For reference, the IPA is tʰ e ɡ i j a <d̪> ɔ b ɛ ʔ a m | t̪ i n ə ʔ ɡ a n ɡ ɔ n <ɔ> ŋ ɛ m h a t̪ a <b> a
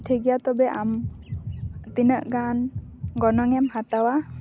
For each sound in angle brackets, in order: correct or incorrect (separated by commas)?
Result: incorrect, correct, incorrect